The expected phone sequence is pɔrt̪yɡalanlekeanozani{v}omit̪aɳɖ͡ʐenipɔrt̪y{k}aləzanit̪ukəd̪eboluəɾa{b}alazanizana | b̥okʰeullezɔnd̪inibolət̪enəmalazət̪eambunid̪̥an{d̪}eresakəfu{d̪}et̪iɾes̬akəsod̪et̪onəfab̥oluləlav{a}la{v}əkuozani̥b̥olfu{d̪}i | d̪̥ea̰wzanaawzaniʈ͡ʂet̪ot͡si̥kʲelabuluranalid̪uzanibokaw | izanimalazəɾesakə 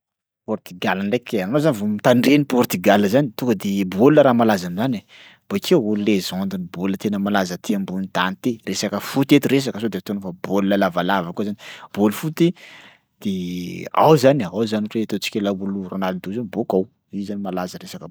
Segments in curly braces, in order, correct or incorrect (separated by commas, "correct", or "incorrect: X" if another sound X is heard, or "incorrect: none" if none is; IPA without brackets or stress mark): correct, incorrect: ɡ, incorrect: m, incorrect: t̪, incorrect: t̪, correct, correct, incorrect: t̪